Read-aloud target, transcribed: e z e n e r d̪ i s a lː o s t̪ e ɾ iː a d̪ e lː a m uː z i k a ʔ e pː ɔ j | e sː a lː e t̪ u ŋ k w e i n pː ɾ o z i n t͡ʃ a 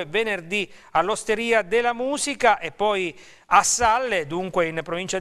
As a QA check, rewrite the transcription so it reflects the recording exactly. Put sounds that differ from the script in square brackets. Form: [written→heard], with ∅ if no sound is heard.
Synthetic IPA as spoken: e [z→v] e n e r d̪ i [s→∅] a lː o s t̪ e ɾ iː a d̪ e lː a m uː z i k a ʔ e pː ɔ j | [e→a] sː a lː e [t̪→d̪] u ŋ k w e i n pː ɾ o [z→v] i n t͡ʃ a